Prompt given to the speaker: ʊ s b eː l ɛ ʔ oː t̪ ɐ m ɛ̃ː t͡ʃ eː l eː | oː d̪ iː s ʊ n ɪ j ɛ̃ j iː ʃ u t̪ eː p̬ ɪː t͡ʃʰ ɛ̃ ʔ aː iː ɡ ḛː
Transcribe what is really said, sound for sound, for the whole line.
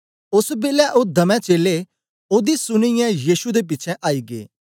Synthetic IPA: ʊ s b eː l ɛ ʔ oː d̪ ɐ m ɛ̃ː t͡ʃ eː l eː | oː d̪ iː s ʊ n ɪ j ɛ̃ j iː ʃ u d̪ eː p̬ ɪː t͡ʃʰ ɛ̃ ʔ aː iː ɡ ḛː